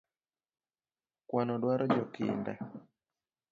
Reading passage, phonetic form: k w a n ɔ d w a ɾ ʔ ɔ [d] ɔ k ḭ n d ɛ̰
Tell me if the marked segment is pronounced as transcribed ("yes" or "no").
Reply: no